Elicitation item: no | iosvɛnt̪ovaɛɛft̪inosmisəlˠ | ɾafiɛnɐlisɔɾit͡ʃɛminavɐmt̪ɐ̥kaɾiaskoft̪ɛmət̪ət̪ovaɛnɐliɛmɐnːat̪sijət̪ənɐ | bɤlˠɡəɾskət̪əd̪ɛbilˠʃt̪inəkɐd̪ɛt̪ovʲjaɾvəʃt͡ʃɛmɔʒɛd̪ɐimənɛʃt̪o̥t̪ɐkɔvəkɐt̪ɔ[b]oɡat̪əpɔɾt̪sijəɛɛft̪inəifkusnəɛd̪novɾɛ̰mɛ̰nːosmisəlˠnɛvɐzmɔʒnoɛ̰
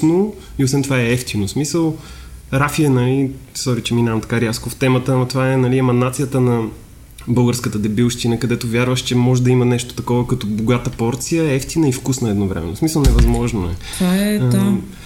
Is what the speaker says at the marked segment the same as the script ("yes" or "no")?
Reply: yes